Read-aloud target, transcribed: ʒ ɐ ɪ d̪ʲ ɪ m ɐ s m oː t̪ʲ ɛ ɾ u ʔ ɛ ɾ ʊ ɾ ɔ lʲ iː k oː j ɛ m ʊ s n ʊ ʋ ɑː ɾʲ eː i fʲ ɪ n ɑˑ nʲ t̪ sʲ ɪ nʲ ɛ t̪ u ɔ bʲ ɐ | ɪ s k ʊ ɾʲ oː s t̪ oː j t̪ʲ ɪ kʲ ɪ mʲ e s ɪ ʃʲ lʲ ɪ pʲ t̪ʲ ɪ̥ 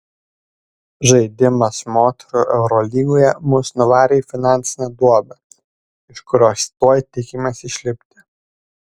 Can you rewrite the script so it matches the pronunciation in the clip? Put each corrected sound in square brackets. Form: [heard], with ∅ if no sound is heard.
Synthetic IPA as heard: ʒ ɐ ɪ d̪ʲ ɪ m ɐ s m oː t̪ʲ ɛ ɾ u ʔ ɛ [∅] ʊ ɾ ɔ lʲ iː [ɡ] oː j ɛ m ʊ s n ʊ ʋ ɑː ɾʲ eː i fʲ ɪ n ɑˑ nʲ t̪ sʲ ɪ nʲ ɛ [d̪] u ɔ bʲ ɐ | ɪ [ʃ] k ʊ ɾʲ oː s t̪ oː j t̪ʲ ɪ kʲ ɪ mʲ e s ɪ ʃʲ lʲ ɪ pʲ t̪ʲ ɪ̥